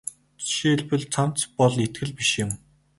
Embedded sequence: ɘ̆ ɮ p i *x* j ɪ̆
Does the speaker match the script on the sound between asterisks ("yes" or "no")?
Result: no